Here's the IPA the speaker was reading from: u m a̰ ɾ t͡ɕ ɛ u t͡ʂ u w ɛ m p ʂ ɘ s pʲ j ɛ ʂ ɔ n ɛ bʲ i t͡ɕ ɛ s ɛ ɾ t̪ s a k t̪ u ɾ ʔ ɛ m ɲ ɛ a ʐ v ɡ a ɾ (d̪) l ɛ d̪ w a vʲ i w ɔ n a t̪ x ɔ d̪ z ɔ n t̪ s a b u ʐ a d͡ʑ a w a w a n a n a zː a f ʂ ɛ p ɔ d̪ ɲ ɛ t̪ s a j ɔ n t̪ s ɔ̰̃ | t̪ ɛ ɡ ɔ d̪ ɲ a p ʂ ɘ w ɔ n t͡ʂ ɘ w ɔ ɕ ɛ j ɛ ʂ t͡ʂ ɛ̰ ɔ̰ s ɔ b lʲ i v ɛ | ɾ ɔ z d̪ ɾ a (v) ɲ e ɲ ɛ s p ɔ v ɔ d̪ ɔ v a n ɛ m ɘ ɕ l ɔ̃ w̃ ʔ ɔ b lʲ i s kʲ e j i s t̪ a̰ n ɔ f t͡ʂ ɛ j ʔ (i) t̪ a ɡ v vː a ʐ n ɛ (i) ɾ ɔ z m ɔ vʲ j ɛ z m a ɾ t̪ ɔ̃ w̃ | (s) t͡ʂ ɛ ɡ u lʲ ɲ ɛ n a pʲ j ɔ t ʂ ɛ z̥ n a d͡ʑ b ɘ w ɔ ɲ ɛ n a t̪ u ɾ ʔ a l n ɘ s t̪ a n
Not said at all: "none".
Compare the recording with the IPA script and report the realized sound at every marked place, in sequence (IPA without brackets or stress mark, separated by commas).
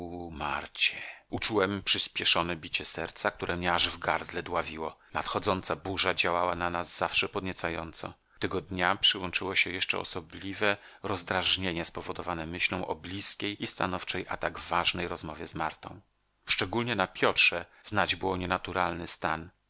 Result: d̪, ʐ, a, j, ʂ